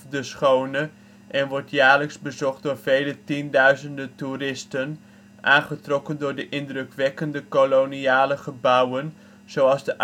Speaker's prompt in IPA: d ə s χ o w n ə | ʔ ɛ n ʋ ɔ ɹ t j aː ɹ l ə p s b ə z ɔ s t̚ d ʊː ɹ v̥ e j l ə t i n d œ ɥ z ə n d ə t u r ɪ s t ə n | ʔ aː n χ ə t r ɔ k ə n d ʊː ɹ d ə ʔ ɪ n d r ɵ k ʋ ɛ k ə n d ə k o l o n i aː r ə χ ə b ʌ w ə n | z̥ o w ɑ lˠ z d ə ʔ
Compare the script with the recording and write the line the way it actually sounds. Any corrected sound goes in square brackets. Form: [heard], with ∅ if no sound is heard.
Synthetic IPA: d ə s χ o w n ə | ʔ ɛ n ʋ ɔ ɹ t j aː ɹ l ə [k] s b ə z ɔ [χ] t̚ d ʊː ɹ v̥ e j l ə t i n d œ ɥ z ə n d ə t u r ɪ s t ə n | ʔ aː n χ ə t r ɔ k ə n d ʊː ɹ d ə ʔ ɪ n d r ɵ k ʋ ɛ k ə n d ə k o l o n i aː [l] ə χ ə b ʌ w ə n | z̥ o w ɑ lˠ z d ə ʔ